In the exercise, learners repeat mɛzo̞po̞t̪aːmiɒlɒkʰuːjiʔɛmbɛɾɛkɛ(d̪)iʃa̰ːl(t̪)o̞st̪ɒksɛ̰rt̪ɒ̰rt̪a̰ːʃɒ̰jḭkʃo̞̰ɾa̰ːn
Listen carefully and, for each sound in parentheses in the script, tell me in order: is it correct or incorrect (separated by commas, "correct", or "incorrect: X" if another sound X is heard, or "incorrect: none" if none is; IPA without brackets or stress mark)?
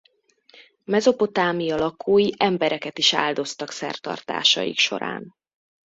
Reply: incorrect: t̪, incorrect: d̪